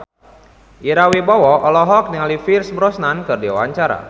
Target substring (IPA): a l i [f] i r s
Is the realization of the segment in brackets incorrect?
no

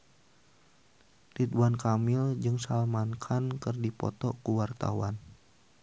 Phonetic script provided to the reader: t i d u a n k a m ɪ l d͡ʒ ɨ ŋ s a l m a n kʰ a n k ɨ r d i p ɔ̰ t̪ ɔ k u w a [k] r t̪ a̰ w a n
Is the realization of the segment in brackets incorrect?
yes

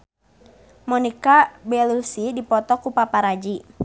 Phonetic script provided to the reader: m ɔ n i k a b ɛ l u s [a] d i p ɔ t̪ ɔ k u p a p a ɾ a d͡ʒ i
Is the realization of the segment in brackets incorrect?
yes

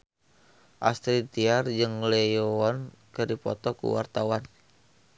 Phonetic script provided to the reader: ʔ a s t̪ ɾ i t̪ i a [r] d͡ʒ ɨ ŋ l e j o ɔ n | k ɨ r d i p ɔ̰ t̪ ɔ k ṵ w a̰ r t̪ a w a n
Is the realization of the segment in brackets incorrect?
no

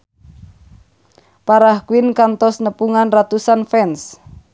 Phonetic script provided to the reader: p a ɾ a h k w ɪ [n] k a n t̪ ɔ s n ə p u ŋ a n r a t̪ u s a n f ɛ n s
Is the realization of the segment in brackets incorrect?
no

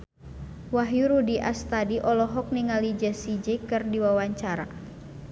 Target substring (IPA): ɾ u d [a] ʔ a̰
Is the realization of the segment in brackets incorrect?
yes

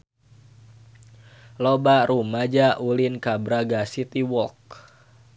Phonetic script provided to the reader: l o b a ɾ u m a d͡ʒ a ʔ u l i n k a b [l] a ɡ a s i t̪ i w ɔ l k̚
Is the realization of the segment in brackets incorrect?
yes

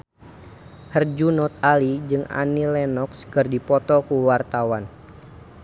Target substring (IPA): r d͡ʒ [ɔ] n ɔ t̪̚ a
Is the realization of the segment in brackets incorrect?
yes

